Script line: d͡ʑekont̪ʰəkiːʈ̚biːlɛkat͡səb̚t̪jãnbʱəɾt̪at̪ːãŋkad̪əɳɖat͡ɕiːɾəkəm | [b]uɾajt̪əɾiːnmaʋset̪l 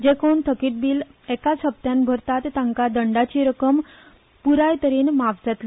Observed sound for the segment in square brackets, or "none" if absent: p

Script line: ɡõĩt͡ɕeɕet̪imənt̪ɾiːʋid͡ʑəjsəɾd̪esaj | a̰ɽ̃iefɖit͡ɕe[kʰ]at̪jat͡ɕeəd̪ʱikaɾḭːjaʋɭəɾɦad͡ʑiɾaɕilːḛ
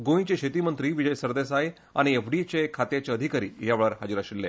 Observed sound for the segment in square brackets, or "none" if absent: kʰ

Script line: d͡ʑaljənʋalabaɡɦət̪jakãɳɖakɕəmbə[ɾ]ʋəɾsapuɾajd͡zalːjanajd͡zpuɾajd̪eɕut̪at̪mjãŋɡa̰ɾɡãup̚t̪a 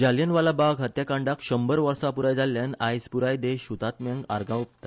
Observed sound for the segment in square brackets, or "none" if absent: ɾ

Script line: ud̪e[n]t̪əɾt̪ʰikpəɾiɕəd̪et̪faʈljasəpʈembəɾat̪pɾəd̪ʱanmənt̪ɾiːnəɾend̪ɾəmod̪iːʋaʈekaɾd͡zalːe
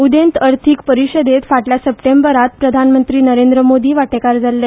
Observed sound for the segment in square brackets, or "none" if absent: n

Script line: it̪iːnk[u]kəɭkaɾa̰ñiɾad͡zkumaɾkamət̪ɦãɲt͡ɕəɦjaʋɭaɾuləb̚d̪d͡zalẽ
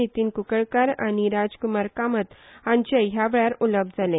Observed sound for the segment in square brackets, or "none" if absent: u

